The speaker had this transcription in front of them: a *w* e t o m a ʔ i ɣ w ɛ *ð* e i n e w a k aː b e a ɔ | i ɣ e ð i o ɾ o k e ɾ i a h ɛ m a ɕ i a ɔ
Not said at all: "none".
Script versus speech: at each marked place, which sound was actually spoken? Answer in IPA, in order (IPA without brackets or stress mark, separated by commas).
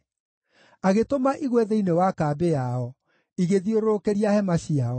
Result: ɣ, ð